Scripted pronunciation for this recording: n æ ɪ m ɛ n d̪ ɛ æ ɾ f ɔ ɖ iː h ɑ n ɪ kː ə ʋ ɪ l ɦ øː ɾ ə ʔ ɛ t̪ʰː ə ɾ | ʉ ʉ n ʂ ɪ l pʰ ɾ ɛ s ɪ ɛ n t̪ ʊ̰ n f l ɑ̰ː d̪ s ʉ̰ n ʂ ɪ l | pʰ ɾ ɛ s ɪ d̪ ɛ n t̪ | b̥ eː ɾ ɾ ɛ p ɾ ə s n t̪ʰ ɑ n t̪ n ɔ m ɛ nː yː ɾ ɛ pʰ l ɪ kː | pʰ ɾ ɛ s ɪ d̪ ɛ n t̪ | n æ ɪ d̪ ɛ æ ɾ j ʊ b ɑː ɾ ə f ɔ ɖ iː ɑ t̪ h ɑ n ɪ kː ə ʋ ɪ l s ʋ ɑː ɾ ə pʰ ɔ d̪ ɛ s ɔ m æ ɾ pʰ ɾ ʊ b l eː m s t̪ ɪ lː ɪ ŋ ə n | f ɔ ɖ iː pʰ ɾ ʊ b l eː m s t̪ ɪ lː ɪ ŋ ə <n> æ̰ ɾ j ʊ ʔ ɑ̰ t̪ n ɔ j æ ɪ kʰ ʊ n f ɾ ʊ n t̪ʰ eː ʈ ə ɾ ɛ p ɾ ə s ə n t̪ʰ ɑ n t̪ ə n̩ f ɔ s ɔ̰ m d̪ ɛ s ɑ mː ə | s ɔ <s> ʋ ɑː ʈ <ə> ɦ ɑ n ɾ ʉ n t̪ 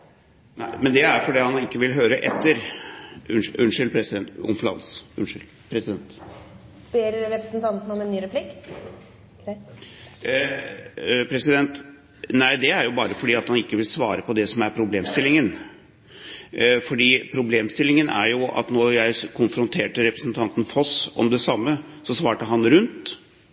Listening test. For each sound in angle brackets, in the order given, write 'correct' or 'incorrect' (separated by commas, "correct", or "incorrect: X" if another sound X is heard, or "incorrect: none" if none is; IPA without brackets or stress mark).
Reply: correct, correct, correct